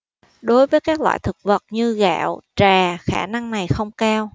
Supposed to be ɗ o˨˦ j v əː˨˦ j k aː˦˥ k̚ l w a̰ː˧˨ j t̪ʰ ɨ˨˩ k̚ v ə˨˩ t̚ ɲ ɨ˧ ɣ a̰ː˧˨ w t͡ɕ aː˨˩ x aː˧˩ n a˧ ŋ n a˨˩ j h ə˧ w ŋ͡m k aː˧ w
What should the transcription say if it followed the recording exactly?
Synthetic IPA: ɗ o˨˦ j v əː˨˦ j k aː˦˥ k̚ l w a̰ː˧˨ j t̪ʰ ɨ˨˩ k̚ v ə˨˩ t̚ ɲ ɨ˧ ɣ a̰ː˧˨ w t͡ɕ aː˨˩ x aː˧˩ n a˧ ŋ n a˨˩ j x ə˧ w ŋ͡m k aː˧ w